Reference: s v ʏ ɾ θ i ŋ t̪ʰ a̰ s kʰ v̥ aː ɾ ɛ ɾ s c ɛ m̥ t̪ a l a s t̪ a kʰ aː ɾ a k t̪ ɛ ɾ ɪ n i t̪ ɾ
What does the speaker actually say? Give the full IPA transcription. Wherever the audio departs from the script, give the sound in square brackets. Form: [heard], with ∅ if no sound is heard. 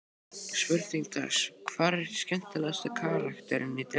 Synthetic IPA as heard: s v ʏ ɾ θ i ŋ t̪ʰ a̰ s kʰ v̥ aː ɾ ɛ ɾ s c ɛ [n̥] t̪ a l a s t̪ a kʰ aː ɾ a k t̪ ɛ ɾ ɪ n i t̪ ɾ